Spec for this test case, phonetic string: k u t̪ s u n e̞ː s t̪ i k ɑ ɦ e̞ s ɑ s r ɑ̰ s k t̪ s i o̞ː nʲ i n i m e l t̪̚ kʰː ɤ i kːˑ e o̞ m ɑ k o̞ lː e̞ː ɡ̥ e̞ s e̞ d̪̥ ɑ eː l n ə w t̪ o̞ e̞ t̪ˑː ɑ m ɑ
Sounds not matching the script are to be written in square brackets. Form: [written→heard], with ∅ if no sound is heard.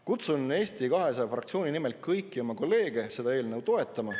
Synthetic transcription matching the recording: k u t̪ s u n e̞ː s t̪ i k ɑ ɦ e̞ s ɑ [s→f] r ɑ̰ [s→∅] k t̪ s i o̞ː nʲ i n i m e l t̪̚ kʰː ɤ [i→j] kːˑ [e→i] o̞ m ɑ k o̞ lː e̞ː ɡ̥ e̞ s e̞ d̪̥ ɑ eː l n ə w t̪ o̞ e̞ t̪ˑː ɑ m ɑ